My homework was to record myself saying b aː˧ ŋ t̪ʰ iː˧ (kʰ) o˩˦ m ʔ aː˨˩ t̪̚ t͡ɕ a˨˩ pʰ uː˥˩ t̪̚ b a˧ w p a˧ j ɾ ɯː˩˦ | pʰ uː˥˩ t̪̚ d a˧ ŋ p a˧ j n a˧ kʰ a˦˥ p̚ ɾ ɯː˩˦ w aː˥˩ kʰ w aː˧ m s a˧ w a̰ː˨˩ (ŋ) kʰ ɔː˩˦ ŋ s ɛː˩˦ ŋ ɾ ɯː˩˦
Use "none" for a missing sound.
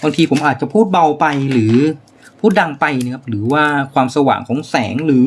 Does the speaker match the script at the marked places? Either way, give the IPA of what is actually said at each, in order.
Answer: pʰ, ŋ

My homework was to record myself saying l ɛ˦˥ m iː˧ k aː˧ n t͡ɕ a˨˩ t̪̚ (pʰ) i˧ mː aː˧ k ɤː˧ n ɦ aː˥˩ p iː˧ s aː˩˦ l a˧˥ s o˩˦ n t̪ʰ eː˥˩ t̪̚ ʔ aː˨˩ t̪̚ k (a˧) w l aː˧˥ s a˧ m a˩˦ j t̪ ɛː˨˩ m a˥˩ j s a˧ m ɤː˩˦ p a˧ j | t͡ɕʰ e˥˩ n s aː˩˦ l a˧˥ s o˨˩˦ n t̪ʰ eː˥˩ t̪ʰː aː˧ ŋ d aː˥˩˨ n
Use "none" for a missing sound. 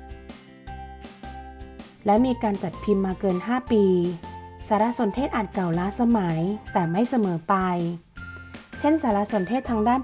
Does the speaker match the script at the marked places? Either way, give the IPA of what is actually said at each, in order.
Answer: pʰ, a˨˩

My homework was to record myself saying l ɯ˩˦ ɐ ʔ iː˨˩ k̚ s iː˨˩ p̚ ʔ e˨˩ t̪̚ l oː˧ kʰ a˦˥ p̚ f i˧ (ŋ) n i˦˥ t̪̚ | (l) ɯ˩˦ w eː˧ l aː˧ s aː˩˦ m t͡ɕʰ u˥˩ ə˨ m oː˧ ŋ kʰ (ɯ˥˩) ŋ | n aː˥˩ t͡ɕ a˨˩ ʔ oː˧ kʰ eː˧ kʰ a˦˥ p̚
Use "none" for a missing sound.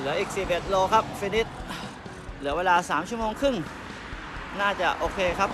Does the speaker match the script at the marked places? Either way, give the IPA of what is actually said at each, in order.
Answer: none, l, ɯ˥˩

